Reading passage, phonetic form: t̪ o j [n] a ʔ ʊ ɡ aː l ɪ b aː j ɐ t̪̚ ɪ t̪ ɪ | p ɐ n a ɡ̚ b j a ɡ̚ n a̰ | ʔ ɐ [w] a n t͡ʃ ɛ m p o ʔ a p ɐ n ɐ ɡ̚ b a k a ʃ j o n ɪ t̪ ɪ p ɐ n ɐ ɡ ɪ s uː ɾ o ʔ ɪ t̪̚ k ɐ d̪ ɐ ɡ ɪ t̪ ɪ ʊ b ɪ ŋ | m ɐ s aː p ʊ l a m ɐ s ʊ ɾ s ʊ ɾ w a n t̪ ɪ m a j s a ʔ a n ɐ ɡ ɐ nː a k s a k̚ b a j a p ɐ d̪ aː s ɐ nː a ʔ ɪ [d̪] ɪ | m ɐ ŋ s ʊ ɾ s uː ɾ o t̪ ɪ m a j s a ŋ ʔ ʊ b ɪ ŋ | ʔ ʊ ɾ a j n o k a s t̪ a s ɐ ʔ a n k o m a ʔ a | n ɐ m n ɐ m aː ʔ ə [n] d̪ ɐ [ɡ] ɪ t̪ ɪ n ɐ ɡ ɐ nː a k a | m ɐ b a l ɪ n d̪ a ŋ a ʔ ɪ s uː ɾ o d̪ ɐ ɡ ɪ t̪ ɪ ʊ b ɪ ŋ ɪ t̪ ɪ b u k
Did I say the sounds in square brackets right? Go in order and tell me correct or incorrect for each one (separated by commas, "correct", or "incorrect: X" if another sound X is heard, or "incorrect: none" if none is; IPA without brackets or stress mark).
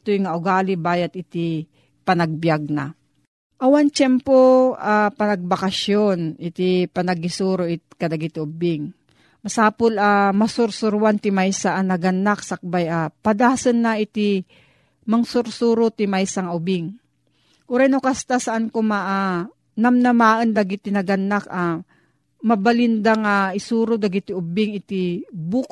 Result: incorrect: ŋ, correct, incorrect: t̪, correct, correct